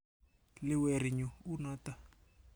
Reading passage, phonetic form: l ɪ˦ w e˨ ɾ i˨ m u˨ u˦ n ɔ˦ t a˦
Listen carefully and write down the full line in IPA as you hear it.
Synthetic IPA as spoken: l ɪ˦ w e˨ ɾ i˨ ɲ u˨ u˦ n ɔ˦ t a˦